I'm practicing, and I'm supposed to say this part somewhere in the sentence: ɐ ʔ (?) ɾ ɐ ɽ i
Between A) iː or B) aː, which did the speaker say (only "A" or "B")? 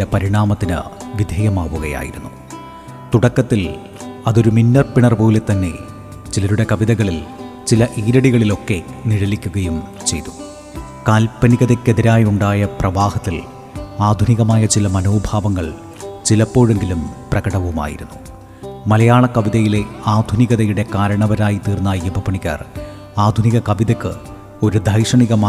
A